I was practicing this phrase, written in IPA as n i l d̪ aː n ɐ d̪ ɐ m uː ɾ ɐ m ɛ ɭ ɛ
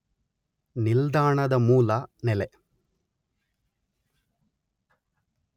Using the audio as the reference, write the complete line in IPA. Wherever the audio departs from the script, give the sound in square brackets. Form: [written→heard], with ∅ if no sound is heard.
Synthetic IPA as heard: n i l d̪ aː [n→ɳ] ɐ d̪ ɐ m uː [ɾ→l] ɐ [m→n] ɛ [ɭ→l] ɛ

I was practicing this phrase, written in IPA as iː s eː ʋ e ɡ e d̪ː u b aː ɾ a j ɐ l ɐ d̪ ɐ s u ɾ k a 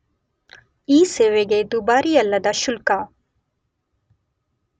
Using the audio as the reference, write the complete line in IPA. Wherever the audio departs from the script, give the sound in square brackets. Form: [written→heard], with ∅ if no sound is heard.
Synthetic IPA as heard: iː s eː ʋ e ɡ e [d̪ː→d̪] u b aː ɾ [a→i] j ɐ [l→lː] ɐ d̪ ɐ [s→ʃ] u [ɾ→l] k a

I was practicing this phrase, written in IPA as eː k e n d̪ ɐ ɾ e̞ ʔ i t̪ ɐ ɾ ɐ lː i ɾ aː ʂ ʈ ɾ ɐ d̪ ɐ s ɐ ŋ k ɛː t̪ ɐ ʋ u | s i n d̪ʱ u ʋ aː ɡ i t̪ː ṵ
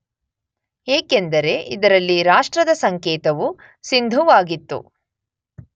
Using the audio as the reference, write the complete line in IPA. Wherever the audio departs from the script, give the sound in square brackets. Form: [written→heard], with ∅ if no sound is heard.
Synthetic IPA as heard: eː k e n d̪ ɐ ɾ e̞ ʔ i [t̪→d̪] ɐ ɾ ɐ lː i ɾ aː ʂ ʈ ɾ ɐ d̪ ɐ s ɐ ŋ k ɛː t̪ ɐ ʋ u | s i n d̪ʱ u ʋ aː ɡ i t̪ː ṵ

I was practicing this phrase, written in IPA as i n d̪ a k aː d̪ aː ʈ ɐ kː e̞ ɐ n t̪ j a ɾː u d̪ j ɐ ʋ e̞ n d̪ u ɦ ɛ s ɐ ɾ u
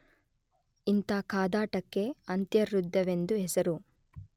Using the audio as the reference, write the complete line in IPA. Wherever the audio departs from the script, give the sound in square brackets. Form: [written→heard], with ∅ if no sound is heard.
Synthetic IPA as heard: i n [d̪→t̪] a k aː d̪ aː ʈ ɐ kː e̞ ɐ n t̪ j [a→ɐ] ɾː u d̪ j ɐ ʋ e̞ n d̪ u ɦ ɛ s ɐ ɾ u

